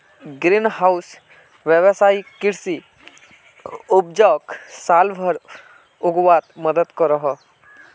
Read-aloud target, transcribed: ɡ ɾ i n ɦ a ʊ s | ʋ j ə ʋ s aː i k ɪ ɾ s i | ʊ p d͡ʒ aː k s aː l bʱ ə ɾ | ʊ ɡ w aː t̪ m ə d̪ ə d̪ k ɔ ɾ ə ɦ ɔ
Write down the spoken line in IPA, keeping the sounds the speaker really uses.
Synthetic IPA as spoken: ɡ ɾ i n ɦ a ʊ s | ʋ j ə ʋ s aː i k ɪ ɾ s i | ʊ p d͡ʒ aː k s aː l bʱ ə ɾ | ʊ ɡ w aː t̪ m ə d̪ ə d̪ k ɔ ɾ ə ɦ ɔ